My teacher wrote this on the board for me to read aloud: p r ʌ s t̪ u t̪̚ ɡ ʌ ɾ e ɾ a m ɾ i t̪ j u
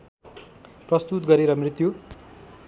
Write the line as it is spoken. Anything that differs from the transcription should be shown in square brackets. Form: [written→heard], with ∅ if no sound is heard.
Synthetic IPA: p r ʌ s t̪ u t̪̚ ɡ ʌ ɾ e ɾ [a→ʌ] m [ɾ→r] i t̪ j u